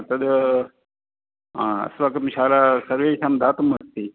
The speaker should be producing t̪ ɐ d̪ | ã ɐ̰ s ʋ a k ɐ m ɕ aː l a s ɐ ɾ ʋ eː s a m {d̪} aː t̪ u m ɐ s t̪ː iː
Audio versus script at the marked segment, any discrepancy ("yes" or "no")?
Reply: no